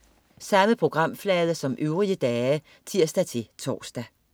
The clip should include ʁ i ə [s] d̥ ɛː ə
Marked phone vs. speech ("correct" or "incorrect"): incorrect